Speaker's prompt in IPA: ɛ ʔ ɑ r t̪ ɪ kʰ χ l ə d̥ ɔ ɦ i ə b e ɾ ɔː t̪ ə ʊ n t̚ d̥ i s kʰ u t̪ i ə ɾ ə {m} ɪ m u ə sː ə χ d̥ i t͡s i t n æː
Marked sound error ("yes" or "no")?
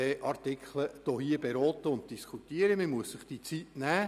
no